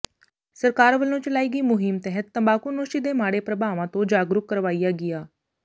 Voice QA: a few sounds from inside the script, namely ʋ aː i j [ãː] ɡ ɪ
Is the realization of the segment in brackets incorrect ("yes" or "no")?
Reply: yes